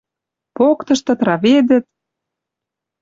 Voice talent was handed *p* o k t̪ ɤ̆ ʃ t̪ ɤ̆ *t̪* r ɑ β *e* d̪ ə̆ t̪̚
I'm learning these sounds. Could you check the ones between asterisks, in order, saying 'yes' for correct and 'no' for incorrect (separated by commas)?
yes, yes, yes